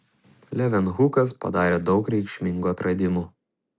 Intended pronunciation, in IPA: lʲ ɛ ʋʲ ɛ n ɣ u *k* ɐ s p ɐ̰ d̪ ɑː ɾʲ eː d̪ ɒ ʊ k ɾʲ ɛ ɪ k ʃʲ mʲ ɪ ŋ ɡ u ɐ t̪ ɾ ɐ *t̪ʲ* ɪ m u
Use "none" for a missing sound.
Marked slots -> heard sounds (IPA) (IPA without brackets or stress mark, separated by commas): k, d̪ʲ